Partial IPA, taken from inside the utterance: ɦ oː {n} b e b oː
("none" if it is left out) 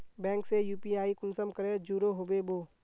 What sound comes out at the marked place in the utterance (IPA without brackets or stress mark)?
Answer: none